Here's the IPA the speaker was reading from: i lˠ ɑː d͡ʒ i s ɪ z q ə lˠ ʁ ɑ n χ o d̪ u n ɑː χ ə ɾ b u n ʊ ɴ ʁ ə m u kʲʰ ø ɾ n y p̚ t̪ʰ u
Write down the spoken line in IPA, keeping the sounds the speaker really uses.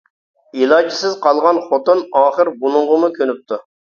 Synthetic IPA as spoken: i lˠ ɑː d͡ʒ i s ɪ z q ɑ lˠ ʁ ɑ n χ o t̪ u n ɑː χ ə ɾ b u n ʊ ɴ ʁ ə m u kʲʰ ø n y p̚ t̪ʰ u